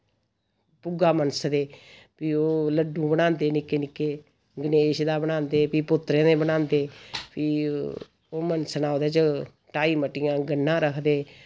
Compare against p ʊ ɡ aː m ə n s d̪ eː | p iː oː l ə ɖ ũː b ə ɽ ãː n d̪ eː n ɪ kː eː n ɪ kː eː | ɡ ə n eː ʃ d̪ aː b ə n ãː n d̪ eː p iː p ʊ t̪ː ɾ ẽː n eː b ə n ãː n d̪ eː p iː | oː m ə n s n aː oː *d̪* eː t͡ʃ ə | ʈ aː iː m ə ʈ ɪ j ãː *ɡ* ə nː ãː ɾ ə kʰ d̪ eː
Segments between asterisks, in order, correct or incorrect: correct, correct

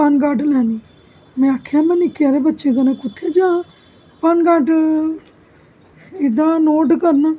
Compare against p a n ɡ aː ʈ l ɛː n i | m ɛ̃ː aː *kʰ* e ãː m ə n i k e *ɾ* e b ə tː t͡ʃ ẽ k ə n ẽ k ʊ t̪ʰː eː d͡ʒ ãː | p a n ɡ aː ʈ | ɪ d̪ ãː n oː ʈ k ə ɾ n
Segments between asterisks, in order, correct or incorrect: correct, correct

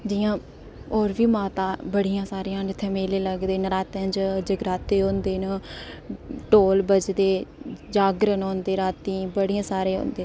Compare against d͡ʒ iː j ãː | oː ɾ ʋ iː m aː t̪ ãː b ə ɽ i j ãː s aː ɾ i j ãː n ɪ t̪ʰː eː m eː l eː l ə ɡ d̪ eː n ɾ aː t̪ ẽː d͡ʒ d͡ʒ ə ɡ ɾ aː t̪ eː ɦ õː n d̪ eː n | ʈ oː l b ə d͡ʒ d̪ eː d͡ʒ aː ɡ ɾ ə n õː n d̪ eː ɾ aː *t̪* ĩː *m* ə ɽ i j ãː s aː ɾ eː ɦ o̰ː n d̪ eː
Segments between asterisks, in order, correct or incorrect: correct, incorrect: b

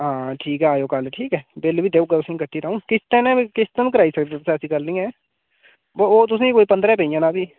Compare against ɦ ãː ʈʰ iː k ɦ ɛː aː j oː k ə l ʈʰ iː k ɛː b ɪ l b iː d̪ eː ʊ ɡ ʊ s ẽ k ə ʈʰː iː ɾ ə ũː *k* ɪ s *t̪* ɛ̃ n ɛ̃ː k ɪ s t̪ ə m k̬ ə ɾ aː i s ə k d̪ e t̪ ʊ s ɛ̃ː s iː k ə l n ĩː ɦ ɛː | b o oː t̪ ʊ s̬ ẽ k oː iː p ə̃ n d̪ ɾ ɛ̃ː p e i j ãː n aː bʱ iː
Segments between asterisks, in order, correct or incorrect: correct, correct

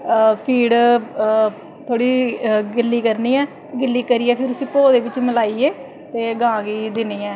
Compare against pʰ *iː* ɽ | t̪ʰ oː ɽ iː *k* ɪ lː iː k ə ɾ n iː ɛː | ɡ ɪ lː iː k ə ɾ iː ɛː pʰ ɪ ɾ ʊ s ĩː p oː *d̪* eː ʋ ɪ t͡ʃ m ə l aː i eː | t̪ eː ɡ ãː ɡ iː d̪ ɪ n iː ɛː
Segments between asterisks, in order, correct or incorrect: correct, incorrect: ɡ, correct

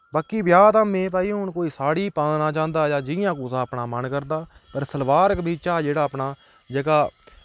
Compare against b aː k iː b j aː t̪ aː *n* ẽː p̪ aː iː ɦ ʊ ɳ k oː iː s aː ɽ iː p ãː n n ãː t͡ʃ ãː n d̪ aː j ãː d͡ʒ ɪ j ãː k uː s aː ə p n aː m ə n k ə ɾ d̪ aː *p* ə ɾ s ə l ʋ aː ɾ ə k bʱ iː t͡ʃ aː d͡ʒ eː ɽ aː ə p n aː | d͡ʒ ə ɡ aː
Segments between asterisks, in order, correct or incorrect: incorrect: m, correct

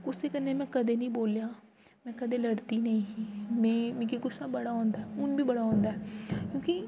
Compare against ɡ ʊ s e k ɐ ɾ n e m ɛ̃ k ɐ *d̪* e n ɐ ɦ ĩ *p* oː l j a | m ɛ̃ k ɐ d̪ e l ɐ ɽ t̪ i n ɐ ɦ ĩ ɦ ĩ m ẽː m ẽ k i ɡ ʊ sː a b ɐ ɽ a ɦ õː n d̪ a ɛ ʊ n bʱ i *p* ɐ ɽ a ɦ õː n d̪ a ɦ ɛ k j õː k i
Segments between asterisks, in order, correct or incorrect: correct, incorrect: b, incorrect: b

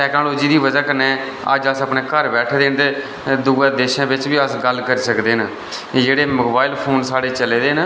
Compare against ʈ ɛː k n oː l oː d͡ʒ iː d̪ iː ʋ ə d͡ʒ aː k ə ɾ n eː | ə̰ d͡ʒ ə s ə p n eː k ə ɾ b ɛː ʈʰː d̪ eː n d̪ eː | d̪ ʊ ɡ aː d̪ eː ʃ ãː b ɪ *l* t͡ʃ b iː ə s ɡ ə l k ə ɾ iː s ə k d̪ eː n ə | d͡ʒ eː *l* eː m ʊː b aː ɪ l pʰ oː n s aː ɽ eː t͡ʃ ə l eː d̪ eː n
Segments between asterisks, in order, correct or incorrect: incorrect: none, incorrect: ɽ

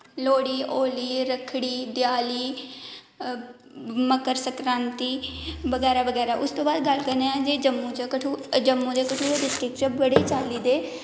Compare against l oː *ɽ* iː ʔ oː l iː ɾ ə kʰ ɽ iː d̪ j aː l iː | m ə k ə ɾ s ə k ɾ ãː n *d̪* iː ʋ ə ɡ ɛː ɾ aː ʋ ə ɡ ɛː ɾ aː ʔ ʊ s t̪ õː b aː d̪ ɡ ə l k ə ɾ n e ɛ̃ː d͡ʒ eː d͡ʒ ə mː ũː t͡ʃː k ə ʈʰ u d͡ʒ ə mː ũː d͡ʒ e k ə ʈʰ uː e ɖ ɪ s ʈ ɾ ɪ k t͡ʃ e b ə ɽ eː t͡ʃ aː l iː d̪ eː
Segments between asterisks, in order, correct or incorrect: correct, incorrect: t̪

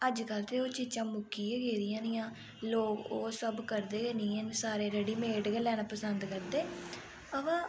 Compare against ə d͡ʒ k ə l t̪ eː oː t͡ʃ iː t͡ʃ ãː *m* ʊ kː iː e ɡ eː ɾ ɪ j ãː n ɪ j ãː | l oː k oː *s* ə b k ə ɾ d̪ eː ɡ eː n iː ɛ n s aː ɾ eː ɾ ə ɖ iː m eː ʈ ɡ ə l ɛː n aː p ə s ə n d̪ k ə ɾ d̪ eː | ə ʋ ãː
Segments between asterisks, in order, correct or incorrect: correct, correct

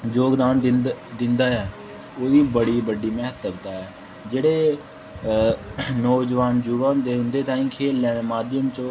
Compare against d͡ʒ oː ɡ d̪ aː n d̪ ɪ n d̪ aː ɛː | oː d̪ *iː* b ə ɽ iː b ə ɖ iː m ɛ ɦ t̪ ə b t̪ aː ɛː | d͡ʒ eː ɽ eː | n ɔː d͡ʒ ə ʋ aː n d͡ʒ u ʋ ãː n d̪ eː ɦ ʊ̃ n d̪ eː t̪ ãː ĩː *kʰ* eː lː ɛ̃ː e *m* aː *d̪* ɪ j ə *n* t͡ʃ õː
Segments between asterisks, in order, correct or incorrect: correct, correct, correct, correct, incorrect: m

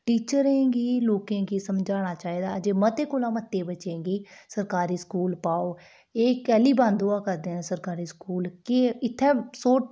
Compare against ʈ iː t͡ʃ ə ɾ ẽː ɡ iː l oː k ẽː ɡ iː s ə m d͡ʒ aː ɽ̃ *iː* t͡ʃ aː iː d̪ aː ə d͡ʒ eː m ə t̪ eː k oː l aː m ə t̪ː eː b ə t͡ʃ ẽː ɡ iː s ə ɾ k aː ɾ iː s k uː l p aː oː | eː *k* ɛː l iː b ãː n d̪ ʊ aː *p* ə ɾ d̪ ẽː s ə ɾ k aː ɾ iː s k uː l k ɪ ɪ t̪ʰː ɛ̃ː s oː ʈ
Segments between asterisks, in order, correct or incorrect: incorrect: aː, correct, incorrect: k

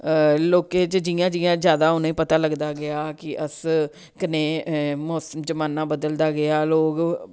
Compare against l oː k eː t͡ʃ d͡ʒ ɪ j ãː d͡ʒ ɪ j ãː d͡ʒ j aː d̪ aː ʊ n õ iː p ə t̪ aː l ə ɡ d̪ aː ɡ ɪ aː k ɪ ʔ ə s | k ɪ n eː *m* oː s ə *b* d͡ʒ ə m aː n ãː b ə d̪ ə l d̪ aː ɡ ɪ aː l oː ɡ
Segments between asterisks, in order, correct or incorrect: correct, incorrect: m

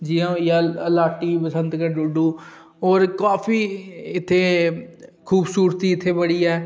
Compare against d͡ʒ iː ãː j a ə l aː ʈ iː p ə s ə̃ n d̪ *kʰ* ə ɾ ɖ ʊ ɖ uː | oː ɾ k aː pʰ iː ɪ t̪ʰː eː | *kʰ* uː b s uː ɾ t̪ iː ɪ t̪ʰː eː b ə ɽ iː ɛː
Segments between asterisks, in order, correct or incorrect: incorrect: k, correct

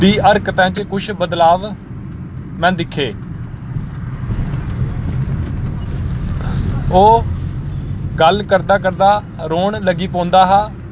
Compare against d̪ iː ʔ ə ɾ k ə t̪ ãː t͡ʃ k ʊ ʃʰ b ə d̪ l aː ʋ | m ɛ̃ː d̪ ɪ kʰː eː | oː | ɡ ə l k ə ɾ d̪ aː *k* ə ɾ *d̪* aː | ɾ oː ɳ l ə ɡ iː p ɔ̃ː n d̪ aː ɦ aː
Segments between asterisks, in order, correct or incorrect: correct, correct

